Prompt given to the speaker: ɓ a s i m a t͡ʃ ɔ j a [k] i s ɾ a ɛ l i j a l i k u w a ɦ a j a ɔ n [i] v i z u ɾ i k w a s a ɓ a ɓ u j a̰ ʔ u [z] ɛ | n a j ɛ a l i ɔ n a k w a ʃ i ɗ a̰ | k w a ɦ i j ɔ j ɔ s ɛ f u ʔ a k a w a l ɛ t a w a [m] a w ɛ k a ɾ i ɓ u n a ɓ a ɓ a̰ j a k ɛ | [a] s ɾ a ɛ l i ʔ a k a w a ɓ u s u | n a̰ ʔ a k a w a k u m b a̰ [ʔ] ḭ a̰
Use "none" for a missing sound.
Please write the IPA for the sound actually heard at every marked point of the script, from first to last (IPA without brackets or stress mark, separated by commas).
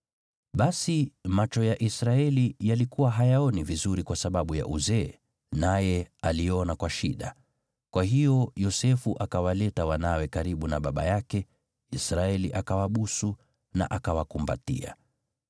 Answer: ʔ, i, z, n, i, t